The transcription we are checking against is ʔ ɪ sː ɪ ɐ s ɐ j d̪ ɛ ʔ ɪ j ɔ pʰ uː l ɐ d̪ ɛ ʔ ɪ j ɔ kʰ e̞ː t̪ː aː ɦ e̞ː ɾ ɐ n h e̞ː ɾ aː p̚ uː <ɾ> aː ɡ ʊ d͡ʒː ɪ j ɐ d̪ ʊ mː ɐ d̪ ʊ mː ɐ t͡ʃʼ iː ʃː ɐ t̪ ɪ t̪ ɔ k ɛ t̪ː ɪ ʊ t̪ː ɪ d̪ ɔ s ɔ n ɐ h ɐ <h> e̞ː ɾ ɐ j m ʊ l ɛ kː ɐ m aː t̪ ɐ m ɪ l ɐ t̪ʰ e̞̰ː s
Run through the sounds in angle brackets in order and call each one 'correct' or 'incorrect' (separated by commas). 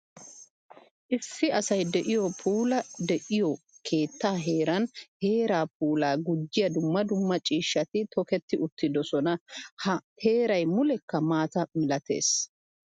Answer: incorrect, correct